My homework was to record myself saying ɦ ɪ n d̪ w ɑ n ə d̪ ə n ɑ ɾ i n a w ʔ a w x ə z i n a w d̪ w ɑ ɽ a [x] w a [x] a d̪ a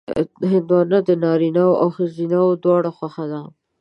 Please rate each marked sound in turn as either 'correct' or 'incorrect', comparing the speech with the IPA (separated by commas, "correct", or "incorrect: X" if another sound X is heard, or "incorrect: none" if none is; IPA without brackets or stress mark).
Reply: correct, correct